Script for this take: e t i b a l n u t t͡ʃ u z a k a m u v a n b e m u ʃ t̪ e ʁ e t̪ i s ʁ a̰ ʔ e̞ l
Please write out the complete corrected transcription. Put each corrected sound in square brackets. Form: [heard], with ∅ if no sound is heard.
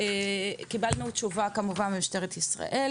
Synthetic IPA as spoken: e [k] i b a l n u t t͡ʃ u [v] a k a m u v a n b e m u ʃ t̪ e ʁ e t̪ i s ʁ a̰ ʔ e̞ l